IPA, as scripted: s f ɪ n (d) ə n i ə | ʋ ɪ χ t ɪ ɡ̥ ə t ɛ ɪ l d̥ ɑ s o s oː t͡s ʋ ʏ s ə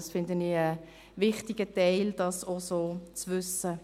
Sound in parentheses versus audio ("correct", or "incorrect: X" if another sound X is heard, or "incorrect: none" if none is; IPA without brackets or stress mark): correct